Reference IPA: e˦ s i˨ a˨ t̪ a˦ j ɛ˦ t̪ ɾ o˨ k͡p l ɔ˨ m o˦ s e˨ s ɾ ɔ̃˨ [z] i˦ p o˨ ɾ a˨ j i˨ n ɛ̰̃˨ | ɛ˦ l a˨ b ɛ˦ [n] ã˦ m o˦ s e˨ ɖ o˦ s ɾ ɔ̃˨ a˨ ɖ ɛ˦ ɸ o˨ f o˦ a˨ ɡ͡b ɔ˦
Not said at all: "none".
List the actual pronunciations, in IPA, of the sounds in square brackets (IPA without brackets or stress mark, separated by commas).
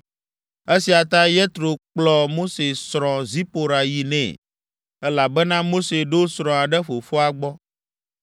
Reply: z, n